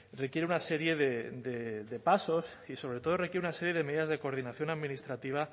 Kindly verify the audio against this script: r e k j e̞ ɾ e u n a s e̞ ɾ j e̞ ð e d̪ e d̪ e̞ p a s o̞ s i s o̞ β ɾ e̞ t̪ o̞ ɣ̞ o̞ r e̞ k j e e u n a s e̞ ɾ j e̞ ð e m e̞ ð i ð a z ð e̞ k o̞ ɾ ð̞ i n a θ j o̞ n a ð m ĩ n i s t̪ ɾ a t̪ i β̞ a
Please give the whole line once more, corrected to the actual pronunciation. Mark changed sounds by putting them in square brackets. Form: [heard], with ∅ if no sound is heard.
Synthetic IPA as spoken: r e k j e̞ ɾ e u n a s e̞ ɾ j e̞ ð e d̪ e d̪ e̞ p a s o̞ s i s o̞ β ɾ e̞ t̪ o̞ [ð̞] o̞ r e̞ k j e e u n a s e̞ ɾ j e̞ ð e m e̞ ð i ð a z ð e̞ k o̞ ɾ ð̞ i n a θ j o̞ n a ð m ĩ n i s t̪ ɾ a t̪ i β̞ a

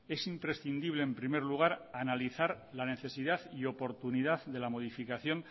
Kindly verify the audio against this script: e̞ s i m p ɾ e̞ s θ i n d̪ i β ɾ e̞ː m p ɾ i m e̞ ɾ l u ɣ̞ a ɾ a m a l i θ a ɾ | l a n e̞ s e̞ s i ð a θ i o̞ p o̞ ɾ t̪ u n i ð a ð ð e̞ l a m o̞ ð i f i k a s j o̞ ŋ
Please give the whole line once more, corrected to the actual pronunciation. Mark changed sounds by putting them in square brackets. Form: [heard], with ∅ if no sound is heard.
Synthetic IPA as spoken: e̞ s i m p ɾ e̞ s θ i n d̪ i β [l] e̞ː m p ɾ i m e̞ ɾ l u ɣ̞ a ɾ a [n] a l i θ a ɾ | l a n e̞ [θ] e̞ s i ð a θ i o̞ p o̞ ɾ t̪ u n i ð a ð ð e̞ l a m o̞ ð i f i k a [θ] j o̞ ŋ

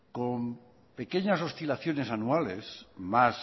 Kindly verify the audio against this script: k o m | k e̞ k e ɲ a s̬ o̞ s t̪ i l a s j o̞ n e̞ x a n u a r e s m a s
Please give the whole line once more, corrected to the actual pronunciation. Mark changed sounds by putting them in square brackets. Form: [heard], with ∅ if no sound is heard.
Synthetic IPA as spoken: k o m | [p] e̞ k e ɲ a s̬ o̞ s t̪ i l a [θ] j o̞ n e̞ [s] a n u a [l] e s m a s

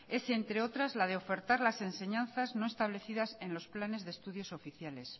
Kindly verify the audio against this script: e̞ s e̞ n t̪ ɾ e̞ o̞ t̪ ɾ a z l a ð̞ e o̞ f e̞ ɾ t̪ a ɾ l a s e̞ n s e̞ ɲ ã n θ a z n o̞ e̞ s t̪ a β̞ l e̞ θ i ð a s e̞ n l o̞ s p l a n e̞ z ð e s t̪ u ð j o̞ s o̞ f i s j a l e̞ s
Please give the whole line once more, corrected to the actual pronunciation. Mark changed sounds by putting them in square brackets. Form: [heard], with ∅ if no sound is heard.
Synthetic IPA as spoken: e̞ s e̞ n t̪ ɾ e̞ o̞ t̪ ɾ a z l a ð̞ e o̞ f e̞ ɾ t̪ a ɾ l a s e̞ n s e̞ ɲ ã n θ a z n o̞ e̞ s t̪ a β̞ l e̞ θ i ð a s e̞ n l o̞ s p l a n e̞ z ð e s t̪ u ð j o̞ s o̞ f i [θ] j a l e̞ s

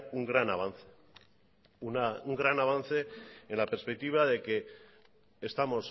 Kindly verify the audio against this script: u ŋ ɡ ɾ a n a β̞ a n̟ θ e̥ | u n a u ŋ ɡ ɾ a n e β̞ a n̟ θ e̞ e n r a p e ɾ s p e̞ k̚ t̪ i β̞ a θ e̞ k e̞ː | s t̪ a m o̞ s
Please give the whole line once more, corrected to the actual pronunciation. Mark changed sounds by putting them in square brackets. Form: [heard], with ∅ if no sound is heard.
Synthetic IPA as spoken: u ŋ ɡ ɾ a n a β̞ a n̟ θ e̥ | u n a u ŋ ɡ ɾ a n [a] β̞ a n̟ θ e̞ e n [l] a p e ɾ s p e̞ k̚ t̪ i β̞ a [ð] e̞ k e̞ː | s t̪ a m o̞ s

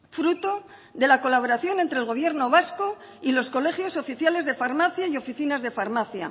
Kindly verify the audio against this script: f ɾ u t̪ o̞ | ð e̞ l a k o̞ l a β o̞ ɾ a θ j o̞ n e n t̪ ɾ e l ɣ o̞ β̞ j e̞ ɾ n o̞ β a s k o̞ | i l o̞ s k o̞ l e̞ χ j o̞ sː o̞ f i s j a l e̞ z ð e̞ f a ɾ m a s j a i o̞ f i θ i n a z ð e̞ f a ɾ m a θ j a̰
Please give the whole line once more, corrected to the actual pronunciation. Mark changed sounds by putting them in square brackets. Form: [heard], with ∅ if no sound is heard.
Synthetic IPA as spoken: f ɾ u t̪ o̞ | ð e̞ l a k o̞ l a β o̞ ɾ a θ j o̞ n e n t̪ ɾ e l ɣ o̞ β̞ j e̞ ɾ n o̞ β a s k o̞ | i l o̞ s k o̞ l e̞ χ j o̞ [s] o̞ f i [θ] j a l e̞ z ð e̞ f a ɾ m a [θ] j a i o̞ f i θ i n a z ð e̞ f a ɾ m a θ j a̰

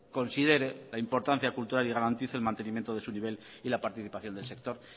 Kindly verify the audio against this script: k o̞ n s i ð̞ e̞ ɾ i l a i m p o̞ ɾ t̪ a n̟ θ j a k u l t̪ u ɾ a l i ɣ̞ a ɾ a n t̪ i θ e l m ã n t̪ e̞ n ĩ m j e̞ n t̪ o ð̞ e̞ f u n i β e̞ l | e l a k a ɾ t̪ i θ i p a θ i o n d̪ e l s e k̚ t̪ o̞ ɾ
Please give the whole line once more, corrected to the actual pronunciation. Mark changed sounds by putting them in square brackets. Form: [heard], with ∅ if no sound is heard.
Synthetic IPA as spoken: k o̞ n s i ð̞ e̞ ɾ [e] l a i m p o̞ ɾ t̪ a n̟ θ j a k u l t̪ u ɾ a l i ɣ̞ a ɾ a n t̪ i θ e l m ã n t̪ e̞ n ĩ m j e̞ n t̪ o ð̞ e̞ [s] u n i β e̞ l | [i] l a [p] a ɾ t̪ i θ i p a θ [j] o n d̪ e l s e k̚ t̪ o̞ ɾ

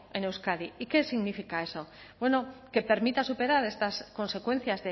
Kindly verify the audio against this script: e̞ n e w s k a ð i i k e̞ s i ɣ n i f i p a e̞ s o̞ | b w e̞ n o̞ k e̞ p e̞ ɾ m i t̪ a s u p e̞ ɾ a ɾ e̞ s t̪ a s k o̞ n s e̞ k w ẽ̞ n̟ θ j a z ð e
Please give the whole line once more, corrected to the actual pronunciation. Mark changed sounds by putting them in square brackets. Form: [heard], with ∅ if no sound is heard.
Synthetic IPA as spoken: e̞ n e w s k a ð i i k e̞ s i ɣ n i f i [k] a e̞ s o̞ | b w e̞ n o̞ k e̞ p e̞ ɾ m i t̪ a s u p e̞ ɾ a ɾ e̞ s t̪ a s k o̞ n s e̞ k w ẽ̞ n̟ θ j a z ð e

